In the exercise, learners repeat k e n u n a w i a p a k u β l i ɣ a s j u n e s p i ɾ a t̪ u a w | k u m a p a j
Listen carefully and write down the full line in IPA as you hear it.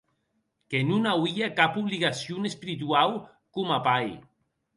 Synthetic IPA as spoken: k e n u n a w i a k a p u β l i ɣ a s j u n e s p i ɾ i t̪ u a w | k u m a p a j